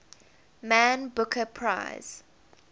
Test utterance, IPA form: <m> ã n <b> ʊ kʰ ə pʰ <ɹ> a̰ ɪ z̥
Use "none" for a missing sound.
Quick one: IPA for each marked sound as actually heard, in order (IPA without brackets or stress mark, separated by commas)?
m, b, ɹ